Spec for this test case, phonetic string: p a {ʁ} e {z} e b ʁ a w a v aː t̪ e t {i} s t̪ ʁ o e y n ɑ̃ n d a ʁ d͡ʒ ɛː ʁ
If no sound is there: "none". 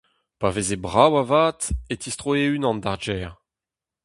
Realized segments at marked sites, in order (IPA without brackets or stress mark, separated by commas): v, z, i